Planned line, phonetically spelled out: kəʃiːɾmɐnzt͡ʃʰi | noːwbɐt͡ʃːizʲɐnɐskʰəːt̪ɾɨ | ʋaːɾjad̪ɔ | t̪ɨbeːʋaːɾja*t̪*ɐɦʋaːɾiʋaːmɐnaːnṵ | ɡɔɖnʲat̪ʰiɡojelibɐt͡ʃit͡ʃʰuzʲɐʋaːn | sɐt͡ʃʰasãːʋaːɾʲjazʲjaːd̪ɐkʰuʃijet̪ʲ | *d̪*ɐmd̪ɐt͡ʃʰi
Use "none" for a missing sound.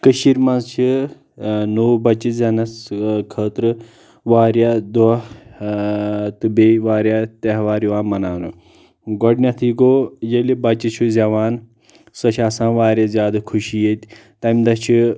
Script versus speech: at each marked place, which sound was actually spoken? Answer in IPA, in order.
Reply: t̪, t̪

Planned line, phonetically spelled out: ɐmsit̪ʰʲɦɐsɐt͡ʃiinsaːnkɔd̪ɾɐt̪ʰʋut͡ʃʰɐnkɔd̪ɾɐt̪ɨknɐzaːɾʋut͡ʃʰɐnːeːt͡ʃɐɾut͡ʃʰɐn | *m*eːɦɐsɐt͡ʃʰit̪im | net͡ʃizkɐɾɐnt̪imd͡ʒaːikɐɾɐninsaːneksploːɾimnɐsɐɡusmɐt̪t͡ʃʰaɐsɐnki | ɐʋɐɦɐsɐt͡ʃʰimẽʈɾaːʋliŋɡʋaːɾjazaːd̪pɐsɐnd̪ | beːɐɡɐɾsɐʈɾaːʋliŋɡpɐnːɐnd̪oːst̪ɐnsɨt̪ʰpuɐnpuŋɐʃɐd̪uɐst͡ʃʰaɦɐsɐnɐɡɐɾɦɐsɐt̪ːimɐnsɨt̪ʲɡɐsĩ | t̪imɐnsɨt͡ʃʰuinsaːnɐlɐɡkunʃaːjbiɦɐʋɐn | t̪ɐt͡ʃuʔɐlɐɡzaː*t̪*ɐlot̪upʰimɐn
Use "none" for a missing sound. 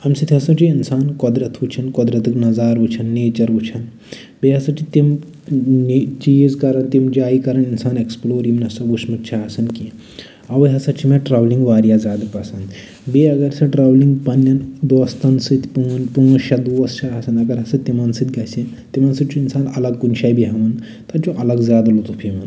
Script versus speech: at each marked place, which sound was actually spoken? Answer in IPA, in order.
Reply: b, d̪

